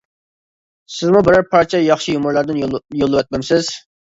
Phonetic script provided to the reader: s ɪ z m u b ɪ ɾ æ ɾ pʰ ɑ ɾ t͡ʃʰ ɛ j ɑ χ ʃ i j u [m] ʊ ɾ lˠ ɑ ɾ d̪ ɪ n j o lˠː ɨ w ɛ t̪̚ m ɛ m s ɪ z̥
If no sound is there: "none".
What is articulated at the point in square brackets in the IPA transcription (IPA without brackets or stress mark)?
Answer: m